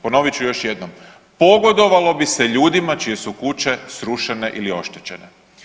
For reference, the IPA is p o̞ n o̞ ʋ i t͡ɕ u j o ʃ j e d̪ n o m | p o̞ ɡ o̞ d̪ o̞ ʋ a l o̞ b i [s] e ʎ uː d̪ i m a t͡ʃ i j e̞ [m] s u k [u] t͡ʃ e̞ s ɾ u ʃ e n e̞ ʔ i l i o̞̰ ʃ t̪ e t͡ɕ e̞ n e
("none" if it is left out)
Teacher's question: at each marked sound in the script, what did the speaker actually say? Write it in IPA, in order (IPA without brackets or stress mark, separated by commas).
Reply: s, none, u